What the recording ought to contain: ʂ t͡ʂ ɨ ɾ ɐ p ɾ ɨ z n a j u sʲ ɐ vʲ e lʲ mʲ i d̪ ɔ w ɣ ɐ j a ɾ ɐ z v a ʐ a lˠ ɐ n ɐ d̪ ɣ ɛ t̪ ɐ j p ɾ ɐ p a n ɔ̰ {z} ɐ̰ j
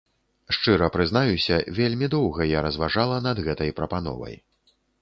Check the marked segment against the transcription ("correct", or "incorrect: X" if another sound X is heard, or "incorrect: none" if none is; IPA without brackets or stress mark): incorrect: v